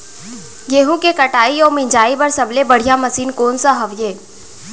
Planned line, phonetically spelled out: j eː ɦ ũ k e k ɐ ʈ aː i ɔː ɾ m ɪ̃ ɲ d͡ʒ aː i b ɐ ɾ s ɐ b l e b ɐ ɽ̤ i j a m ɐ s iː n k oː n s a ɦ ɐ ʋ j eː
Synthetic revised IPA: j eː ɦ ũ k e k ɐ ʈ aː i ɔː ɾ m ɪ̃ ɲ d͡ʒ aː i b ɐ ɾ s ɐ b l e b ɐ ɽ̤ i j a m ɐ s iː n k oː n s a ɦ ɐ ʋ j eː